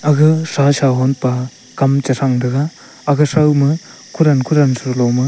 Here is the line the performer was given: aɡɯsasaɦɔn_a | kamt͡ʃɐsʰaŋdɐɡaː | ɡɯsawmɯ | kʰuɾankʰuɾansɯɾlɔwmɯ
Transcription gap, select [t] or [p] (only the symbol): p